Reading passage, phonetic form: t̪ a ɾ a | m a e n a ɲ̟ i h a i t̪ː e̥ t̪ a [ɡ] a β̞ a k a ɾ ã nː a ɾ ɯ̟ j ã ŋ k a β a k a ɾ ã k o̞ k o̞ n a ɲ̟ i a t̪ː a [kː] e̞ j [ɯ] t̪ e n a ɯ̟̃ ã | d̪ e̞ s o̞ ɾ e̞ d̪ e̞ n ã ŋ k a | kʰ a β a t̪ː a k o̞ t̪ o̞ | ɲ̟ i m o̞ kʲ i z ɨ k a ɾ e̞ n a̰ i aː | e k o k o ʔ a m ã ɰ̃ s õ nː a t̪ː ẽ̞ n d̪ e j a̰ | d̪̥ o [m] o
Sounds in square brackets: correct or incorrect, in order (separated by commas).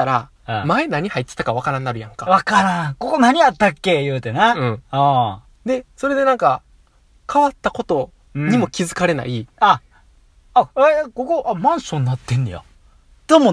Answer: incorrect, correct, incorrect, correct